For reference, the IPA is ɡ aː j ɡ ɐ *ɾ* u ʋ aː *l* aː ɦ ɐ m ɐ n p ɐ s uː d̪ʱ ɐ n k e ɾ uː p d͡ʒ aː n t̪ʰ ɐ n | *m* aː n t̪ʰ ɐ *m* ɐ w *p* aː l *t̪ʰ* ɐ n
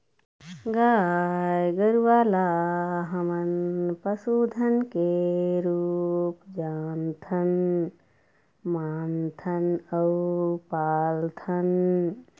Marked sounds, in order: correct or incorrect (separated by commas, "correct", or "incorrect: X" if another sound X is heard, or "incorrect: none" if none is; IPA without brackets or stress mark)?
correct, correct, correct, incorrect: n, correct, correct